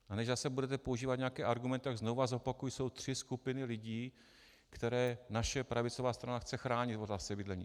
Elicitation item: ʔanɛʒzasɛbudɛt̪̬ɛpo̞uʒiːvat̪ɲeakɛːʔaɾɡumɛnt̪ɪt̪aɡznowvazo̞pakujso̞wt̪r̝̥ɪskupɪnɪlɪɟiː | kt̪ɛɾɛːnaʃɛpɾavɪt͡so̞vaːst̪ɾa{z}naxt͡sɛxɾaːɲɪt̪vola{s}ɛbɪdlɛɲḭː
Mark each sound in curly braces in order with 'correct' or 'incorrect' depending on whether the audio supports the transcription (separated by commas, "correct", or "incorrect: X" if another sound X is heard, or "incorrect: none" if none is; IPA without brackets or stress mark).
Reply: incorrect: none, correct